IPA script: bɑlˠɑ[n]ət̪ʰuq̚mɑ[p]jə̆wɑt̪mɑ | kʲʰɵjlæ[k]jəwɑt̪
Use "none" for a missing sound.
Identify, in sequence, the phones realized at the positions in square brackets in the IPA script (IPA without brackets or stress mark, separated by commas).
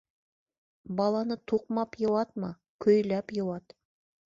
n, p, p